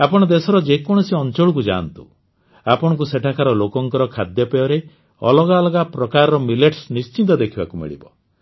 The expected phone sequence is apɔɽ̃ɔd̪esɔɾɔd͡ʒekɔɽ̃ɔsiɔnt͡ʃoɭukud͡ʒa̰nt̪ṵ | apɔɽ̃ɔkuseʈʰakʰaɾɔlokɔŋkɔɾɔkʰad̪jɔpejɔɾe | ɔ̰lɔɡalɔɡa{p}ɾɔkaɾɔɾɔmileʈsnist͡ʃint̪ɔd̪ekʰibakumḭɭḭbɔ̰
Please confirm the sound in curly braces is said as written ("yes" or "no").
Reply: yes